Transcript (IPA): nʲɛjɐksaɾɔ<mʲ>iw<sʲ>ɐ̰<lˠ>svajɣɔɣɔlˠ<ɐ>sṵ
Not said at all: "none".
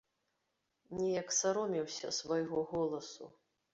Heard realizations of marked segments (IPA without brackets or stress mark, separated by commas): mʲ, sʲ, none, ɐ